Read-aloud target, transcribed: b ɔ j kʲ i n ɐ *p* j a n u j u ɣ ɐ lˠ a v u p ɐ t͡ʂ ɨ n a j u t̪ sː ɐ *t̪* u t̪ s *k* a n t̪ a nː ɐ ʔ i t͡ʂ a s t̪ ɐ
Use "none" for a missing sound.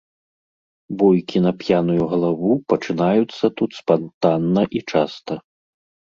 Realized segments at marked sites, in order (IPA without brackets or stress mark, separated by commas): p, t̪, p